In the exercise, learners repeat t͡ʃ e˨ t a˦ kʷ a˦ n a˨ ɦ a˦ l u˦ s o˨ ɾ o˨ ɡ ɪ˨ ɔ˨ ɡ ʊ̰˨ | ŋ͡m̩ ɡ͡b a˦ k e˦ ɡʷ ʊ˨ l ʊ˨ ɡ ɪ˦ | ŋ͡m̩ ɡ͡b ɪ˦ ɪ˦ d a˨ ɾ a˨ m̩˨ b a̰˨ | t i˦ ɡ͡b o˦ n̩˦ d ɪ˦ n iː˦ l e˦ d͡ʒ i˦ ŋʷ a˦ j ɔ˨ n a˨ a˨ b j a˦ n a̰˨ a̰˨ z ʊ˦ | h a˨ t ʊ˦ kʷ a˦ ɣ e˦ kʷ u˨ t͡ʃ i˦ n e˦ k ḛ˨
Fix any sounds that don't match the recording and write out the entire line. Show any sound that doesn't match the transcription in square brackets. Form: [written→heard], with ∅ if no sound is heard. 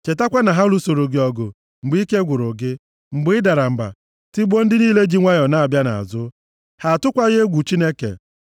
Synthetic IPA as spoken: t͡ʃ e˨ t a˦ kʷ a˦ n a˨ ɦ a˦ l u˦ s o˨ ɾ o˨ ɡ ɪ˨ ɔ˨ ɡ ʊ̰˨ | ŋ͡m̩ ɡ͡b [a˦→i˦] k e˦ ɡʷ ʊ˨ [l→ɾ] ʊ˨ ɡ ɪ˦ | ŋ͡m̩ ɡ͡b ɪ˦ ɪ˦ d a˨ ɾ a˨ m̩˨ b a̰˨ | t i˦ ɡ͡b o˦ n̩˦ d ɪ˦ n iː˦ l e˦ d͡ʒ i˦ ŋʷ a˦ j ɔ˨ n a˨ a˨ b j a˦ n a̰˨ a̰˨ z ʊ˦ | h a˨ t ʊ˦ kʷ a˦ ɣ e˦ [kʷ→ɡʷ] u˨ t͡ʃ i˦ n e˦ k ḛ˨

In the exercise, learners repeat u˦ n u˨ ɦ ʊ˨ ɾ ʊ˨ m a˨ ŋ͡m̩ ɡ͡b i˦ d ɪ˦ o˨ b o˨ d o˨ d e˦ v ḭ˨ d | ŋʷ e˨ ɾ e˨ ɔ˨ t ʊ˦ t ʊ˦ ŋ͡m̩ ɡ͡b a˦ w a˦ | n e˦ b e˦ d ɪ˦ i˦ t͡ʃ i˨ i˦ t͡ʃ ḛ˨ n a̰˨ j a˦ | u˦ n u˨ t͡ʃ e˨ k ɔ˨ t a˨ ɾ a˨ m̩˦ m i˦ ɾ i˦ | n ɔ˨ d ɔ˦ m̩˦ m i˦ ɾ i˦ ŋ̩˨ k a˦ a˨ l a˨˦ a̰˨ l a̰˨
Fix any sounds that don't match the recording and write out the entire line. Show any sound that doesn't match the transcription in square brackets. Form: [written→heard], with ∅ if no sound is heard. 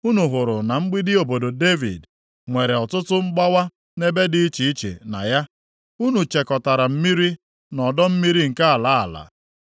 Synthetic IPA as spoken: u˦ n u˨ ɦ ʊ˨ ɾ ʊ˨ [m→n] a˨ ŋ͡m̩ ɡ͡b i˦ d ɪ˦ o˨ b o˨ d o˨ d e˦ v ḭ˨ d | ŋʷ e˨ ɾ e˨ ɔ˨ t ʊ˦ t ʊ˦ ŋ͡m̩ ɡ͡b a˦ w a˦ | n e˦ b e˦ d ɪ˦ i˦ t͡ʃ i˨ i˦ t͡ʃ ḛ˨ n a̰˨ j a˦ | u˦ n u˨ t͡ʃ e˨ k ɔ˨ t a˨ ɾ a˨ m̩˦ m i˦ ɾ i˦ | n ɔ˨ d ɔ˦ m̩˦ m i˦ ɾ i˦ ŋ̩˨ k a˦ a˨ l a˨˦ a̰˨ l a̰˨

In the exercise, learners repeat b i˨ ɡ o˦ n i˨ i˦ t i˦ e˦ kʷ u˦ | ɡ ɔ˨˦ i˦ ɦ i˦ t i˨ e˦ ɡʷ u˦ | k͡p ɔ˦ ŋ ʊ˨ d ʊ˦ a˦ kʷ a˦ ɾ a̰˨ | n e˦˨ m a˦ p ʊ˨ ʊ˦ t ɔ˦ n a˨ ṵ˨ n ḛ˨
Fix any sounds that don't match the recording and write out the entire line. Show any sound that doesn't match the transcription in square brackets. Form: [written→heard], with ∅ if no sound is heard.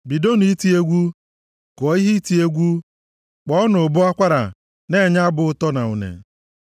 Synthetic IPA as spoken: b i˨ [ɡ→d] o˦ n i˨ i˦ t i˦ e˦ [kʷ→ɡʷ] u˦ | [ɡ→k] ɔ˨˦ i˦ ɦ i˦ t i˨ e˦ ɡʷ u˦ | k͡p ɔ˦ [ŋ→n] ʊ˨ [d→b] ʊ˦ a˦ kʷ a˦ ɾ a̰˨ | n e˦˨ [m→ɲ] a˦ [p→b] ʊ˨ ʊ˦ t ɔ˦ n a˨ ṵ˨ n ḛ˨

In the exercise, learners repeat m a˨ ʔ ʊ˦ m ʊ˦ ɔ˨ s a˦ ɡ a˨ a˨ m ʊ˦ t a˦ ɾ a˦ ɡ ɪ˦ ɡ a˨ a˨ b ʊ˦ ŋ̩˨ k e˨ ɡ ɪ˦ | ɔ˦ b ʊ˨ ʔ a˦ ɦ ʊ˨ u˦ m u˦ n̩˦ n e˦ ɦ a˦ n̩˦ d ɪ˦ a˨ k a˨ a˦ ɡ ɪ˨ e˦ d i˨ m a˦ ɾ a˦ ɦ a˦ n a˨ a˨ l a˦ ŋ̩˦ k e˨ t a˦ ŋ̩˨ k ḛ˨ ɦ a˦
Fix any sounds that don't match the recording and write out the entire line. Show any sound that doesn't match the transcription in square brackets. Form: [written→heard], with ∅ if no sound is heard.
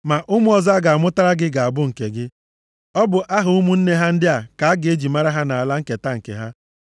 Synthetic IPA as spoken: m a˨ ʔ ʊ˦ m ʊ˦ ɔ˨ [s→z] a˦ ɡ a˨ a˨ m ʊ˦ t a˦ ɾ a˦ ɡ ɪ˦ ɡ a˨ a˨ b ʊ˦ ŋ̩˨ k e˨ ɡ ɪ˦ | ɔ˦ b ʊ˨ ʔ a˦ ɦ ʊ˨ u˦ m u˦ n̩˦ n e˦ ɦ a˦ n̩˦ d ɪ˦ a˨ k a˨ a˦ ɡ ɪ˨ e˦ [d→d͡ʒ] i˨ m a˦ ɾ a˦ ɦ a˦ n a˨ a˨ l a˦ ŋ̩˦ k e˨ t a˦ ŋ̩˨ k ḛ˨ ɦ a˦

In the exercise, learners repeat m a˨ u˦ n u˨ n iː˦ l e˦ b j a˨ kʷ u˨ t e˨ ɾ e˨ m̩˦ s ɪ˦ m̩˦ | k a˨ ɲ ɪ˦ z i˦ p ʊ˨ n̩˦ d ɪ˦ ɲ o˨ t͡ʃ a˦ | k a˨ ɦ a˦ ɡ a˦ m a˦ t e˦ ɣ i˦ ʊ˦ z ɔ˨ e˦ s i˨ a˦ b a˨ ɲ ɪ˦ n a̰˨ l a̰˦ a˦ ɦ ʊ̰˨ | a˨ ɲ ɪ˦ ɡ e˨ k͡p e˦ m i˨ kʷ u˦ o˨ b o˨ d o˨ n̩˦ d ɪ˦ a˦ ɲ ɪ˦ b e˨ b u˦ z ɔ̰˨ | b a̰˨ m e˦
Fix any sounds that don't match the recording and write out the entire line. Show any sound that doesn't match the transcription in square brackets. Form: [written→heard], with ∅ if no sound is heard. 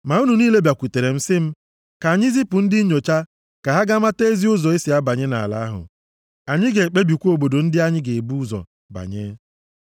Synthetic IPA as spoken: m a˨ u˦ n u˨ n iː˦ l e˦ b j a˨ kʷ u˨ t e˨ ɾ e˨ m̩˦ s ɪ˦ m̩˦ | k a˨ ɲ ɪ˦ z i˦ p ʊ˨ n̩˦ d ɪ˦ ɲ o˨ t͡ʃ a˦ | k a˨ ɦ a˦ ɡ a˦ m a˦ t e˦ [ɣ→z] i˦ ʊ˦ z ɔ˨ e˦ s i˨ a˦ b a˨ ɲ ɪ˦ n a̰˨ l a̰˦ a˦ ɦ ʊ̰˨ | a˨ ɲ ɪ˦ ɡ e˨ k͡p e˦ [m→b] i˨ kʷ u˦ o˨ b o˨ d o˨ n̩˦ d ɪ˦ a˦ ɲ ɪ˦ [b→ɡ] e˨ b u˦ z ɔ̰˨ | b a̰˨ [m→ɲ] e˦

